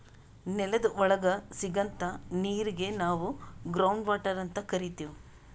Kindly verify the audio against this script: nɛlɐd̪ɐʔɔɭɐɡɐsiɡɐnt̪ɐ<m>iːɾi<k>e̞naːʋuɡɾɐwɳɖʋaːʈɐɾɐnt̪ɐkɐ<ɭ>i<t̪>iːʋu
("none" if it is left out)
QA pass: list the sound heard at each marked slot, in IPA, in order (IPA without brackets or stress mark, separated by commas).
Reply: n, ɡ, ɾ, t̪